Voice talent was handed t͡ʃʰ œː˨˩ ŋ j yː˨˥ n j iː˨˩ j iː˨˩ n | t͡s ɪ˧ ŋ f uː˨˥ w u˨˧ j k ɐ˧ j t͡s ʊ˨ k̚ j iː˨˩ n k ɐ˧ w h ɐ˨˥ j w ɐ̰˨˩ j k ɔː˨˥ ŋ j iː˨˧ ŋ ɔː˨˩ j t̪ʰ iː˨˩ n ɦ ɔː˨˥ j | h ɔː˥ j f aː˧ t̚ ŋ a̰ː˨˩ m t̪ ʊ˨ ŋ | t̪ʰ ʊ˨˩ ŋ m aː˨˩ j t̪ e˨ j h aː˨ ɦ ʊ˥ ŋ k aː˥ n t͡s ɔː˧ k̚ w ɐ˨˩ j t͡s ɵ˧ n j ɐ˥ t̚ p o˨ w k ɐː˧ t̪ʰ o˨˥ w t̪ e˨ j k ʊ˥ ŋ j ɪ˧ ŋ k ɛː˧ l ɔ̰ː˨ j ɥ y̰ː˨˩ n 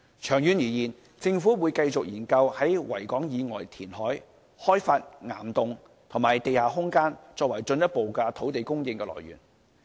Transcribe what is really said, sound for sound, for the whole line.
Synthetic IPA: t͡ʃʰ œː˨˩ ŋ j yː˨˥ n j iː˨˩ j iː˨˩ n | t͡s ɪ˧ ŋ f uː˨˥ w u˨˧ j k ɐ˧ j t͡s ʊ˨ k̚ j iː˨˩ n k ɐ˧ w h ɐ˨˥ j w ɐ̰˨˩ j k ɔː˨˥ ŋ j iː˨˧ ŋ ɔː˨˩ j t̪ʰ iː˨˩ n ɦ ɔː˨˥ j | h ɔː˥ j f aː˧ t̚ ŋ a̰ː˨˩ m t̪ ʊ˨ ŋ | t̪ʰ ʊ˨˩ ŋ m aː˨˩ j t̪ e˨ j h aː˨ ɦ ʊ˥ ŋ k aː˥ n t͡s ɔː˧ k̚ w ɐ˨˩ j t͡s ɵ˧ n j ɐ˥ t̚ p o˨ w k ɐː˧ t̪ʰ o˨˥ w t̪ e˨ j k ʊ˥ ŋ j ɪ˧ ŋ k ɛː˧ l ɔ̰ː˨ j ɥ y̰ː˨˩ n